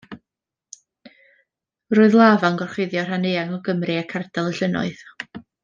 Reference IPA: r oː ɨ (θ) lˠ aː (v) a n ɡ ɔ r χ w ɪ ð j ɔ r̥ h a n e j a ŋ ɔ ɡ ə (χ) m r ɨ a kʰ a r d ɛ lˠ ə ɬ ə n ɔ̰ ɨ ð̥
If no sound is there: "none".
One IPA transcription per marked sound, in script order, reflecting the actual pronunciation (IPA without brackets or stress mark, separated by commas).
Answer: ð, v, none